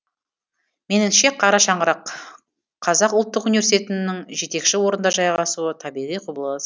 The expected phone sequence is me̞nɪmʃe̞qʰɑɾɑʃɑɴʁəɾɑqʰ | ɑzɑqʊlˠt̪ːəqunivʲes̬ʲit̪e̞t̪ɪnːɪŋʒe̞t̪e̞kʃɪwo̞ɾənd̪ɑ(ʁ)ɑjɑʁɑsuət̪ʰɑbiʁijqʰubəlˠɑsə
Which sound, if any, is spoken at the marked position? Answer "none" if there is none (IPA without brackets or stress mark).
ʒ